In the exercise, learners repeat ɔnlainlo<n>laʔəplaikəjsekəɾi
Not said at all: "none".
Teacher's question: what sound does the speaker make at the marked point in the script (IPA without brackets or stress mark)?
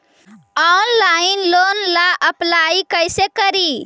n